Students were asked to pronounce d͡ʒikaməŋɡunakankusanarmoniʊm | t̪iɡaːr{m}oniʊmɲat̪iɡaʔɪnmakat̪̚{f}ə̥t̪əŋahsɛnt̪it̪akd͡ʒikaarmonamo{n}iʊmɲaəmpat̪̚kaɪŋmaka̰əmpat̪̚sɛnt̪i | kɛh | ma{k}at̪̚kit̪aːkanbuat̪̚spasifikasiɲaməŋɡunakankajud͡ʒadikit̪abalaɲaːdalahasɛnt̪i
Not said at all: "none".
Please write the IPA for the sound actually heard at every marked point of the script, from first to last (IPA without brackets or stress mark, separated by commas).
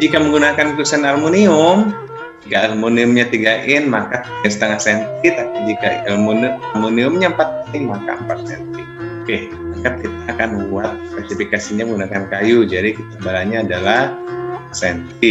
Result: m, s, n, k